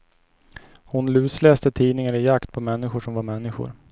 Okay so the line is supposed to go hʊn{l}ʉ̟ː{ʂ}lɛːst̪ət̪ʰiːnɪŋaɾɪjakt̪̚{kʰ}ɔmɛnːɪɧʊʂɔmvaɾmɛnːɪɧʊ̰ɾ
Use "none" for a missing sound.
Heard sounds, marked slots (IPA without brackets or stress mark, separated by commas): l, s, pʰ